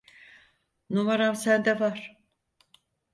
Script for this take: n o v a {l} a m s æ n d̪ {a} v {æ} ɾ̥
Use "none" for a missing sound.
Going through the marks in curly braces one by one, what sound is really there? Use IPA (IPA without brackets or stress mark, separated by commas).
ɾ, ɛ, a